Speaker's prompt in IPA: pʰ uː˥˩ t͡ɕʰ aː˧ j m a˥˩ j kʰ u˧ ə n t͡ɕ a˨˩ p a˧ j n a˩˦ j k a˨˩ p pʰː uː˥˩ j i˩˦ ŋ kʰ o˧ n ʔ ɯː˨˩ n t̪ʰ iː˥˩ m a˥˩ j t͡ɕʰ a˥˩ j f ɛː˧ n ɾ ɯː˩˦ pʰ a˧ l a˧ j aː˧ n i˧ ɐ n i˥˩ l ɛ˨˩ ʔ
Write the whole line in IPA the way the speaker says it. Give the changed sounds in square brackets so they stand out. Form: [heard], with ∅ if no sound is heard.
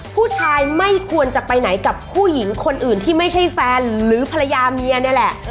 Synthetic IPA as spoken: pʰ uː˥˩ t͡ɕʰ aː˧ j m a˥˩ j kʰ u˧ ə n t͡ɕ a˨˩ p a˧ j n a˩˦ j k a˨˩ p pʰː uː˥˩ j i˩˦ ŋ kʰ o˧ n ʔ ɯː˨˩ n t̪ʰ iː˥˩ m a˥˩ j t͡ɕʰ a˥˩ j f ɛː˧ n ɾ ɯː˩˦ pʰ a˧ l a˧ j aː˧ [m] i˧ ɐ n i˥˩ l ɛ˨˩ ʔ